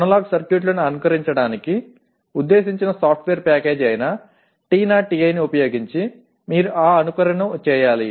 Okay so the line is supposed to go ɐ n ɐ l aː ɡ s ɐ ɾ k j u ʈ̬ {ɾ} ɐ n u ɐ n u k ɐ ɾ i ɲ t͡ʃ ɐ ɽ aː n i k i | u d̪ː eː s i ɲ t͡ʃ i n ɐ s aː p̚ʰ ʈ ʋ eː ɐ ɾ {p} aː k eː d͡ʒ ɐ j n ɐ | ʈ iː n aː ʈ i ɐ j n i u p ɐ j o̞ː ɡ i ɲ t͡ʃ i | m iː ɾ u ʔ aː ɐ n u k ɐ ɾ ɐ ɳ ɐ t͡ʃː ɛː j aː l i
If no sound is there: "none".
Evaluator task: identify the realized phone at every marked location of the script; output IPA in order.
l, p

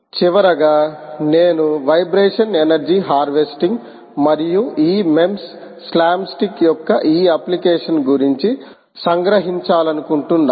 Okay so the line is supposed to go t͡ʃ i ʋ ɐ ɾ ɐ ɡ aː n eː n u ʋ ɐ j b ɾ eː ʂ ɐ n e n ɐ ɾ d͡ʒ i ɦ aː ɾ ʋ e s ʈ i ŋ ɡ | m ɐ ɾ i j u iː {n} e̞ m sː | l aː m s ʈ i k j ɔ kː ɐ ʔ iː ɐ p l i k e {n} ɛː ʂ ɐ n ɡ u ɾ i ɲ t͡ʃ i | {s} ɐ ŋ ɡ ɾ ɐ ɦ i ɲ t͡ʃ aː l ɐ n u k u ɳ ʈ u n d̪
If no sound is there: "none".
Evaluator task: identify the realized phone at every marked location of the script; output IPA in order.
m, none, s

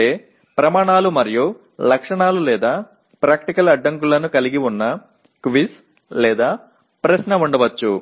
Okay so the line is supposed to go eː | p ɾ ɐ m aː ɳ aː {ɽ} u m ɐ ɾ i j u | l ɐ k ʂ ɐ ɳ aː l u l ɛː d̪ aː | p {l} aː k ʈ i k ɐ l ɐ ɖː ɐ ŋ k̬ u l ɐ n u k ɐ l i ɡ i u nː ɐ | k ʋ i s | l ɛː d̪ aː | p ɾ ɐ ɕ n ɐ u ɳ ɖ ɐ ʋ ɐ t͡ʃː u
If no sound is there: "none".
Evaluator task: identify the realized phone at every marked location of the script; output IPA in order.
l, ɾ

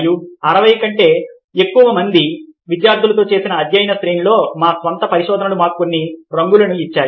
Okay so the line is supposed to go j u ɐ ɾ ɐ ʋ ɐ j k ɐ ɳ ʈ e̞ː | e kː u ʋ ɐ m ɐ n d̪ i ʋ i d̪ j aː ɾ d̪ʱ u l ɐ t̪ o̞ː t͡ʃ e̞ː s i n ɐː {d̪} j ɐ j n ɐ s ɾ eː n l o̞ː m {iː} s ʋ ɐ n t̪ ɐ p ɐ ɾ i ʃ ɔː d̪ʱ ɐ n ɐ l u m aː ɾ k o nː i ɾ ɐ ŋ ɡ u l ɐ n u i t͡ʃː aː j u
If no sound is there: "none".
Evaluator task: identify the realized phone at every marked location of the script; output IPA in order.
d̪, aː

